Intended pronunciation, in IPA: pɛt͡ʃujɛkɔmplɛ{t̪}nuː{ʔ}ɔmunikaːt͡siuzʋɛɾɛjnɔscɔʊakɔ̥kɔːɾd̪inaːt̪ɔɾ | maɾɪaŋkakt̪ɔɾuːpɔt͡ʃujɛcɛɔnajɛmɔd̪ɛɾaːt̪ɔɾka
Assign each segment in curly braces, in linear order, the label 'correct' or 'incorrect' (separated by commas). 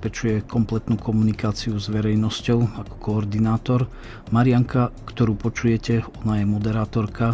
correct, incorrect